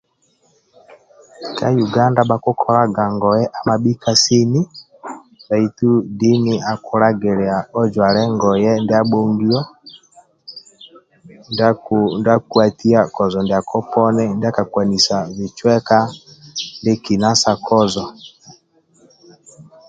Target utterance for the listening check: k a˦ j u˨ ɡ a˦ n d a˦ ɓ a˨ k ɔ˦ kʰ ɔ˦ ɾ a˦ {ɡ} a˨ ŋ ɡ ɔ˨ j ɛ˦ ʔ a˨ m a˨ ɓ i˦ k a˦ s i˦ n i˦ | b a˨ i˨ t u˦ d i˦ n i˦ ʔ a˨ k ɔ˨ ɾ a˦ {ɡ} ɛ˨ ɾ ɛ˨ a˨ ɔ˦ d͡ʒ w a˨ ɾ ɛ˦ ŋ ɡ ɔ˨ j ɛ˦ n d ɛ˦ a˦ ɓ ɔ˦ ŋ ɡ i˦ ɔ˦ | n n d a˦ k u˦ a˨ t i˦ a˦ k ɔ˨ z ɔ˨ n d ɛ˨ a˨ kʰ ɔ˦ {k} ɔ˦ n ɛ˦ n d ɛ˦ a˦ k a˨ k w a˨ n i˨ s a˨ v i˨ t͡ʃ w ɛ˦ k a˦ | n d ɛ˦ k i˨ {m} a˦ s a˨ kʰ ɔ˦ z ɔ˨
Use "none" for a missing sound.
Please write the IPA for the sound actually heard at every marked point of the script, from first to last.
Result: ɡ, ɡ, p, n

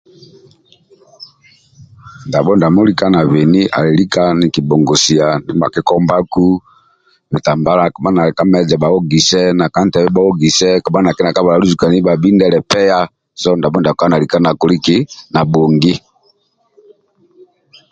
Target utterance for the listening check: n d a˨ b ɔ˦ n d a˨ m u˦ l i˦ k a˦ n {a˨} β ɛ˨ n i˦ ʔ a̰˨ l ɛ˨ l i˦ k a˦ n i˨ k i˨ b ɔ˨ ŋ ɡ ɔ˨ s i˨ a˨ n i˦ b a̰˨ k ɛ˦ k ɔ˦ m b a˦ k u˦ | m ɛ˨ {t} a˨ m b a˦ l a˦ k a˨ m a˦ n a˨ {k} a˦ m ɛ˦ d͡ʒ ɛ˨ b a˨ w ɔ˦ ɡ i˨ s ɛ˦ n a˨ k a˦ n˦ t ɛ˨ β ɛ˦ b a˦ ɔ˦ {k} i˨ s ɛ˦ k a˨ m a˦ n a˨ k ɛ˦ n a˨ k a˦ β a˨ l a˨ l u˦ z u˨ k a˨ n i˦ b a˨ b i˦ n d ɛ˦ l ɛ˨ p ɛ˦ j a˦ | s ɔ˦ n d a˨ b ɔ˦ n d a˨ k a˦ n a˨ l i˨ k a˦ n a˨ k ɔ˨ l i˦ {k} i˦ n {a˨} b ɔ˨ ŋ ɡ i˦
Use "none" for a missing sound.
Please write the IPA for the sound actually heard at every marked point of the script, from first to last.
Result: a˨, t, k, ɡ, k, a˨

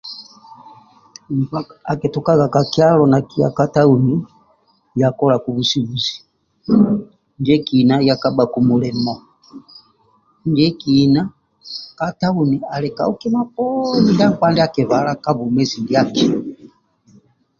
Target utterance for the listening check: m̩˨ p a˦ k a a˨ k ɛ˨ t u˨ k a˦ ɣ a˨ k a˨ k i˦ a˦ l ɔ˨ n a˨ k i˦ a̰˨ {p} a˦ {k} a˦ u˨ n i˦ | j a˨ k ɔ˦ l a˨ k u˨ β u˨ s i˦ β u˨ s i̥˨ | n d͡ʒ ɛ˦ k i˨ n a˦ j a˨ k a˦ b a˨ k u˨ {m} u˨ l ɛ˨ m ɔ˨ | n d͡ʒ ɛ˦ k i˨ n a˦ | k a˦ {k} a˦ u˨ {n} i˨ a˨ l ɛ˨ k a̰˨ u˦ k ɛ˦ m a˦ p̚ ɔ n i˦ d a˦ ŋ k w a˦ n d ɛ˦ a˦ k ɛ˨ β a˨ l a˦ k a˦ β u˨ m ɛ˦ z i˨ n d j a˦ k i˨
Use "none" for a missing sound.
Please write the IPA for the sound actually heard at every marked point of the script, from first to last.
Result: k, t, m, t, n

